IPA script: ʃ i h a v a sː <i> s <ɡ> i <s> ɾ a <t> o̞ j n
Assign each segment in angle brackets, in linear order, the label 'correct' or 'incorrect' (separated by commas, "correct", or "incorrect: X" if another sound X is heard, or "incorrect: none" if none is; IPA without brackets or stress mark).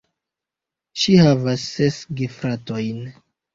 incorrect: e, correct, incorrect: f, correct